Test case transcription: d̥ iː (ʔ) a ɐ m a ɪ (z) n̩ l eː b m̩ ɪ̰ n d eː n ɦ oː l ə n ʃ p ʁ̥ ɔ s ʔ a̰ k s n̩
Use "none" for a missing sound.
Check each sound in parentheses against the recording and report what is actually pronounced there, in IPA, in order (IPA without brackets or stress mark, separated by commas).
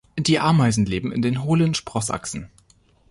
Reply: ʔ, z